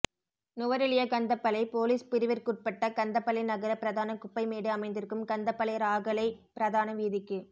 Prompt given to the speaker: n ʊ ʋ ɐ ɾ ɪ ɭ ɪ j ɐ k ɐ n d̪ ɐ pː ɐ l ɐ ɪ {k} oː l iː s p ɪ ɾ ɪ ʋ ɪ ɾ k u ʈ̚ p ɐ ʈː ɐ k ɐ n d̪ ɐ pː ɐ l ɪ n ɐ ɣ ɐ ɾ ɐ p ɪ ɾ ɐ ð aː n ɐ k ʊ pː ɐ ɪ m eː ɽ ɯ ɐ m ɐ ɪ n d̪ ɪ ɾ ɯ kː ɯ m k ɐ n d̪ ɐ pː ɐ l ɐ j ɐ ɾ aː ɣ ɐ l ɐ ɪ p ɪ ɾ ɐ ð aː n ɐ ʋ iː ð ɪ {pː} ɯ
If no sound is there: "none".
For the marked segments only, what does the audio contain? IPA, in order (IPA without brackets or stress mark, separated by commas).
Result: p, kː